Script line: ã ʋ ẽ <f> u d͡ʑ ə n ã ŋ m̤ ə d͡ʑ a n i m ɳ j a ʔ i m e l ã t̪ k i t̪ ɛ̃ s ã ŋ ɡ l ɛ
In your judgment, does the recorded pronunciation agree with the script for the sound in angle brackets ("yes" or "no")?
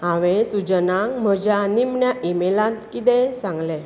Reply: no